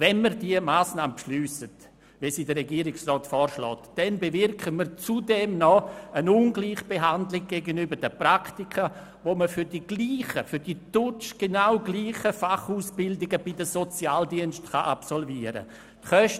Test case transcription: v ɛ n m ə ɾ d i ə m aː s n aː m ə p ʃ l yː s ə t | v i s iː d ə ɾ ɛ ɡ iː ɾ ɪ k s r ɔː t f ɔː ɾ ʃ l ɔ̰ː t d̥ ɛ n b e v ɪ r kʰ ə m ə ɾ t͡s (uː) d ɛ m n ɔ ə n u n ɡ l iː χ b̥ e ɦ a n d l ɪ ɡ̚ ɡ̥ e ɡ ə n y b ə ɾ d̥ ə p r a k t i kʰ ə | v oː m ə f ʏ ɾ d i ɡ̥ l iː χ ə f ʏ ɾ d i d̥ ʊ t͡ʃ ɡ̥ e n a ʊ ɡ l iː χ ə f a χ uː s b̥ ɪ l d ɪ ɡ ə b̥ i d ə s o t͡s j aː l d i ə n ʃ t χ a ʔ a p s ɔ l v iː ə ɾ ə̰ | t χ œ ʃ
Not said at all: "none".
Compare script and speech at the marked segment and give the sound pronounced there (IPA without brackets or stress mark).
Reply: u